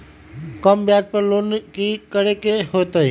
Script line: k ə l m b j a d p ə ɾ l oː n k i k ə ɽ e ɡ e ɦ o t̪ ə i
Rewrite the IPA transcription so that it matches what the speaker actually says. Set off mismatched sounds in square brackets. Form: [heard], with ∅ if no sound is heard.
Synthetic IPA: k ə [∅] m b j a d p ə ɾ l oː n k i k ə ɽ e [k] e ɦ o t̪ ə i

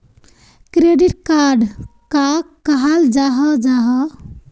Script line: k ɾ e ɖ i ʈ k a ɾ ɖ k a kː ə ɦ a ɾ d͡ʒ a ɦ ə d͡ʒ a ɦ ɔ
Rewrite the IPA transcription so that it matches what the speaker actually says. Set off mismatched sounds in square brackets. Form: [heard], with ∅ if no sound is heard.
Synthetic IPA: k ɾ e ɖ i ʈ k a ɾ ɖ k a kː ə ɦ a [l] d͡ʒ a ɦ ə d͡ʒ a ɦ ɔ

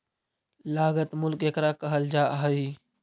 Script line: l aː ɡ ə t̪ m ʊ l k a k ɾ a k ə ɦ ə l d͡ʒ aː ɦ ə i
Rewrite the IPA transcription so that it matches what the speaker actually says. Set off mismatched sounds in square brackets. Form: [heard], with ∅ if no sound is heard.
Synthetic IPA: l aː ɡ ə t̪ m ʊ l k [e] k ɾ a k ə ɦ ə l d͡ʒ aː ɦ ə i

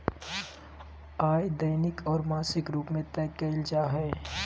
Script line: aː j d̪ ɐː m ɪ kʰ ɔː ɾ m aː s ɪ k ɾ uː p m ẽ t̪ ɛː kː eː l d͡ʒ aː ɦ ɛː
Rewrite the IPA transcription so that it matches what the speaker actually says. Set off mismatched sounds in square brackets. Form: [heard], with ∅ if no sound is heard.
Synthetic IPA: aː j d̪ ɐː [n] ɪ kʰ ɔː ɾ m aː s ɪ k ɾ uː p m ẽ t̪ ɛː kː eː l d͡ʒ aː ɦ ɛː

